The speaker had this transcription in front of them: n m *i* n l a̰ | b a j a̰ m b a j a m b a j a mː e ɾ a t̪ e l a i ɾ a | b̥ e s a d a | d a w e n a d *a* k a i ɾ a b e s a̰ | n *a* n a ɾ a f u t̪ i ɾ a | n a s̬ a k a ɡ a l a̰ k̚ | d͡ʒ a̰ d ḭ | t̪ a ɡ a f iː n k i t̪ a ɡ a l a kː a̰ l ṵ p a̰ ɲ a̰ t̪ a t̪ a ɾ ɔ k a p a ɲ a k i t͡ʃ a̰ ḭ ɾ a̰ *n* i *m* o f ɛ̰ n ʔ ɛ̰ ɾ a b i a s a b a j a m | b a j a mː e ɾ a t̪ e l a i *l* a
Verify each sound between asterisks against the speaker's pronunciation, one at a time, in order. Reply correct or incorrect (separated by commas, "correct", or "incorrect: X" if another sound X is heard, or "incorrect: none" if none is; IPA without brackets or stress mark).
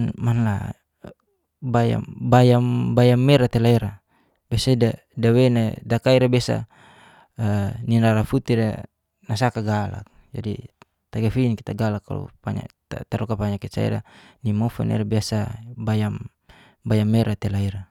incorrect: a, correct, incorrect: i, correct, correct, incorrect: ɾ